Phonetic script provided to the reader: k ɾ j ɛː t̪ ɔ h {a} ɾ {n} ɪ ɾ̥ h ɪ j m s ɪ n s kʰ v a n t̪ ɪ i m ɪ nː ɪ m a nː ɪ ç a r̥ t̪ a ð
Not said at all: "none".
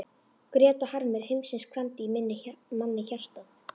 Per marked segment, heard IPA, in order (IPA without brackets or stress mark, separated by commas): a, m